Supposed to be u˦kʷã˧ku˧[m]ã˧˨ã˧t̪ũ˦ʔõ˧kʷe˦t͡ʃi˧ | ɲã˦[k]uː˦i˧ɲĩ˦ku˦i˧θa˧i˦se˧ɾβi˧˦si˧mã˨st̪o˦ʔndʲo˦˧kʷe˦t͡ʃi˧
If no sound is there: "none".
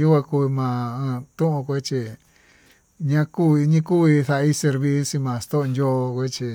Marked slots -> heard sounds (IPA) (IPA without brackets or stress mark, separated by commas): m, k